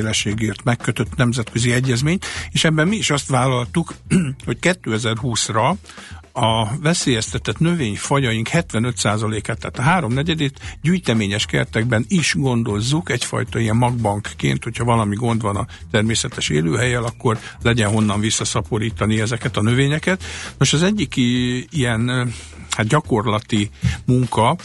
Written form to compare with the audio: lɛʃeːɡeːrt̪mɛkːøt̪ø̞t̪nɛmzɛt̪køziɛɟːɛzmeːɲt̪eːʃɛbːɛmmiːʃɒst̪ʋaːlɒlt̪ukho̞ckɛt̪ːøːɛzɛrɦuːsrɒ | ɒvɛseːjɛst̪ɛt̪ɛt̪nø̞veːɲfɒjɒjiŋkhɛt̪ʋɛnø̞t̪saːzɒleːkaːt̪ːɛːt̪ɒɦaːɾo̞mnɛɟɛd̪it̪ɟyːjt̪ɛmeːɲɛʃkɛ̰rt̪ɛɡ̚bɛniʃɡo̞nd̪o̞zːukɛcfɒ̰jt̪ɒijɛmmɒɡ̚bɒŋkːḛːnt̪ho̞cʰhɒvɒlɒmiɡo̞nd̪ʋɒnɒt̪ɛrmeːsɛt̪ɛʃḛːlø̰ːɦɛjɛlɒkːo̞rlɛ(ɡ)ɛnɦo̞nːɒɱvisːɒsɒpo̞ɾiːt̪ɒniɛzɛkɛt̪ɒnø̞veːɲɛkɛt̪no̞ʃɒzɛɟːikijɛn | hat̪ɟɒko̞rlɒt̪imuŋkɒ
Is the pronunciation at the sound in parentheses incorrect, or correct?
incorrect